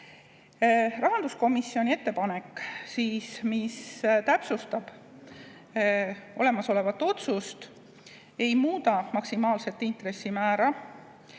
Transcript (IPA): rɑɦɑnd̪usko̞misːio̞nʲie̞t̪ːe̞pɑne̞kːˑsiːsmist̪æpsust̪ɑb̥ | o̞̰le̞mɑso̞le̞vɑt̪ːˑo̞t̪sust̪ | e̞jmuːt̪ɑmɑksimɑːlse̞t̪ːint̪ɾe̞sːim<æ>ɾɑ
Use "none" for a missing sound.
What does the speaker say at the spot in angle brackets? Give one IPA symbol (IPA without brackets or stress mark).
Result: æː